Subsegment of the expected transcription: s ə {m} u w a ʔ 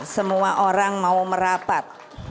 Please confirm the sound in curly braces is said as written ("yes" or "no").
yes